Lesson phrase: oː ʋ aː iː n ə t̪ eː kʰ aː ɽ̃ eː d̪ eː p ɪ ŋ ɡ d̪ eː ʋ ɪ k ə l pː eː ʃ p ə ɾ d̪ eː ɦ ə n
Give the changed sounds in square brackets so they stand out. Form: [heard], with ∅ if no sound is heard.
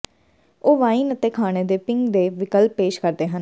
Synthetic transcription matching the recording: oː ʋ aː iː n ə t̪ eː kʰ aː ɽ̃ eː d̪ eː p ɪ ŋ ɡ d̪ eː ʋ ɪ k ə l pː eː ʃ [k] ə ɾ d̪ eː ɦ ə n